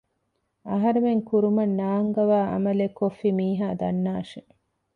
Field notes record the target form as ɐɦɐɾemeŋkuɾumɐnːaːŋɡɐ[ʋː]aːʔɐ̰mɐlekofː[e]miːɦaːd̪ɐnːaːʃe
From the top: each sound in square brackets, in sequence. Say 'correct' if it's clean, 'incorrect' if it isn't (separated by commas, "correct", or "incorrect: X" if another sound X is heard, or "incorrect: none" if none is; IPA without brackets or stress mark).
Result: incorrect: ʋ, incorrect: i